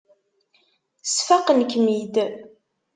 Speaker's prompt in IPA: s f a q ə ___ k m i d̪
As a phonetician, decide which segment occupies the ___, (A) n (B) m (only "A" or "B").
A